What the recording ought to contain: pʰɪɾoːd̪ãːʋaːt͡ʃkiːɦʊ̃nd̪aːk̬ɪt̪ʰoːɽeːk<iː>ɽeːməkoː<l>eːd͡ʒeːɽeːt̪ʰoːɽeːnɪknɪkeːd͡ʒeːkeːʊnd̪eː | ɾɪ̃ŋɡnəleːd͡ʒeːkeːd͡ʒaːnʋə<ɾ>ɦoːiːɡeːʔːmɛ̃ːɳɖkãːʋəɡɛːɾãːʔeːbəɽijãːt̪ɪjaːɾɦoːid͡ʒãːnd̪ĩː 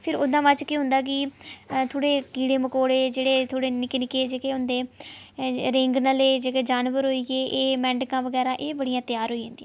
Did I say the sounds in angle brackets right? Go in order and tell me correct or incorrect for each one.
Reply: correct, incorrect: ɽ, correct

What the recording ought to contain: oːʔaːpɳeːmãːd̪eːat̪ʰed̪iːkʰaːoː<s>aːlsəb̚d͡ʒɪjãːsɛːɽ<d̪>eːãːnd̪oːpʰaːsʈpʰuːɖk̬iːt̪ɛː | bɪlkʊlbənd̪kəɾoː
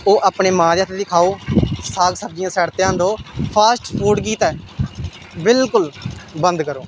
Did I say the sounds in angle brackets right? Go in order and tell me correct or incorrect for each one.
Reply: correct, incorrect: t̪

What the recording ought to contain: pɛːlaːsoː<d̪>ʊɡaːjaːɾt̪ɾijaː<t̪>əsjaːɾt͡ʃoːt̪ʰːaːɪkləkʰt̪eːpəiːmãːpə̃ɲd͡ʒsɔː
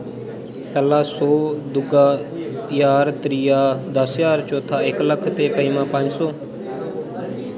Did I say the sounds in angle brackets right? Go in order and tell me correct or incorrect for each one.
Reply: correct, incorrect: d̪

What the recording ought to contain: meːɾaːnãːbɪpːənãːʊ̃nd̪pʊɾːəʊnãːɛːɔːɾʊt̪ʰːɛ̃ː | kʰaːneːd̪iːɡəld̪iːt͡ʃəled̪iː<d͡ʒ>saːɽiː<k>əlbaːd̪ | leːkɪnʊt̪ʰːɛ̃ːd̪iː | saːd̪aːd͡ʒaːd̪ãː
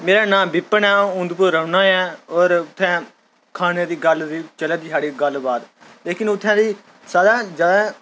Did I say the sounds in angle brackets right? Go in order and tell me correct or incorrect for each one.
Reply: incorrect: none, incorrect: ɡ

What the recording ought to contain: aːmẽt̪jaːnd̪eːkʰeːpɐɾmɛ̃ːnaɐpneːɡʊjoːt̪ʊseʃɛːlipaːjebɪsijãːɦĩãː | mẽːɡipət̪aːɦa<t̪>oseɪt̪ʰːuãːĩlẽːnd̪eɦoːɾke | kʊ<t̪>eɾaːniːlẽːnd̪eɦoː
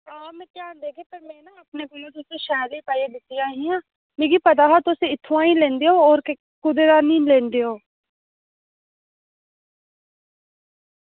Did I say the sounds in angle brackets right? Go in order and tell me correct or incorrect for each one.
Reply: correct, incorrect: d̪

